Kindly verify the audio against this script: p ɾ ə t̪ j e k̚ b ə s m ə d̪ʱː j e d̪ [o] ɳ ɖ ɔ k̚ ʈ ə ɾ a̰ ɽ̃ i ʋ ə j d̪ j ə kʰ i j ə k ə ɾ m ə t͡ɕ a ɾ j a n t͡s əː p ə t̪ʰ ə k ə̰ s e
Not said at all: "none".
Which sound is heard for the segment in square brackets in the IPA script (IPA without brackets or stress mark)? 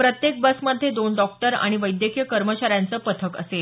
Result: o